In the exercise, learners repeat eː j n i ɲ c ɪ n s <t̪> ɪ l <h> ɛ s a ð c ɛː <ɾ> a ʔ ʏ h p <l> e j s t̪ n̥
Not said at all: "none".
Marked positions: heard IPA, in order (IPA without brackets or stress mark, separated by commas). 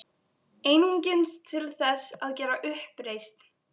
t̪ʰ, θ, ɾ, ɾ